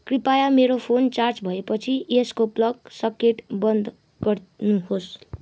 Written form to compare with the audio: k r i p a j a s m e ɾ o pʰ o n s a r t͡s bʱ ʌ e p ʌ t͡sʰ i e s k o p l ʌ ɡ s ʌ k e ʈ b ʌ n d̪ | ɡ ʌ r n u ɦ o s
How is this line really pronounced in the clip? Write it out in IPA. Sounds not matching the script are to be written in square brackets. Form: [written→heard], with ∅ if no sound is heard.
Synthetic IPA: k r i p a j a [s→∅] m e ɾ o pʰ o n [s→t͡s] a r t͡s bʱ ʌ e p ʌ t͡sʰ i e s k o p l ʌ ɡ s ʌ k e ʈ b ʌ n d̪ | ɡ ʌ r n u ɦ o s